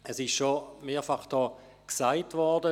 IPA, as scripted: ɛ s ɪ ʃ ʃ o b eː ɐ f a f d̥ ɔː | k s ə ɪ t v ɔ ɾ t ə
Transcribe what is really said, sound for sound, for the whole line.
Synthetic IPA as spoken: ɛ s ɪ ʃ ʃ o m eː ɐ f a χ d̥ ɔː | k s a ɪ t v ɔ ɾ d ə